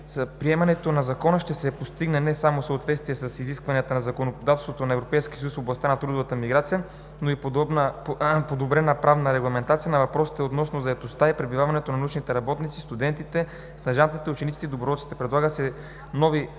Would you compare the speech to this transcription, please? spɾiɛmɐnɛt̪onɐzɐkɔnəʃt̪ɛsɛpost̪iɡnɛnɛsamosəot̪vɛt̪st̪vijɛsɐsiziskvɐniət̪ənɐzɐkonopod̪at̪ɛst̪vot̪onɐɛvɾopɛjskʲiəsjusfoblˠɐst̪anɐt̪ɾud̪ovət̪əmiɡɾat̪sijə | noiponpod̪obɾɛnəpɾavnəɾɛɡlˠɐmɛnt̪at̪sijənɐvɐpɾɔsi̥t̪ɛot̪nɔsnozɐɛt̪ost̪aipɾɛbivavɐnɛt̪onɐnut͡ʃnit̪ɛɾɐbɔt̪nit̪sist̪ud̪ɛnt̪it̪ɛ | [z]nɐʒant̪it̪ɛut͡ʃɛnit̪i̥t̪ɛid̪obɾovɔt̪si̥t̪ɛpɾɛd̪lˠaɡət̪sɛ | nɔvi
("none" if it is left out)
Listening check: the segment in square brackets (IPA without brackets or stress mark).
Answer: s